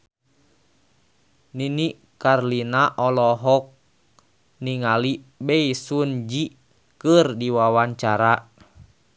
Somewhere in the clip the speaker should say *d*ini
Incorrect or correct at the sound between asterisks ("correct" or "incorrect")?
incorrect